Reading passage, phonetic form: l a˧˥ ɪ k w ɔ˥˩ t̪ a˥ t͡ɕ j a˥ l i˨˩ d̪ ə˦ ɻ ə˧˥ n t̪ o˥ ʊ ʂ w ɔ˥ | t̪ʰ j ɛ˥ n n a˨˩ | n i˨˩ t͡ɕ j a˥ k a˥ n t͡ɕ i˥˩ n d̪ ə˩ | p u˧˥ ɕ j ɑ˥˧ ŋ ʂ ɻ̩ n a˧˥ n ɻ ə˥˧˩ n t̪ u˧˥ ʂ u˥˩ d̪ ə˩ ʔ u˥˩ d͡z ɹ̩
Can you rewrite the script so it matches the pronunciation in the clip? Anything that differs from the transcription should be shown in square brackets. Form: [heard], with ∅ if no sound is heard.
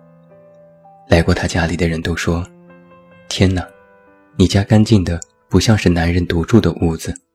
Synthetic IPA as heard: l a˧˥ ɪ k w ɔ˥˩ [t̪ʰ] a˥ t͡ɕ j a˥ l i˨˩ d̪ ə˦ ɻ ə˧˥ n t̪ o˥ ʊ ʂ w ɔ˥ | t̪ʰ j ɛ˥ n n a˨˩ | n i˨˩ t͡ɕ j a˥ k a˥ n t͡ɕ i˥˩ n d̪ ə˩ | p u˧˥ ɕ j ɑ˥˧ ŋ ʂ ɻ̩ n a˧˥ n ɻ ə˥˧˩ n t̪ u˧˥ [ʈ͡ʂ] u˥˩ d̪ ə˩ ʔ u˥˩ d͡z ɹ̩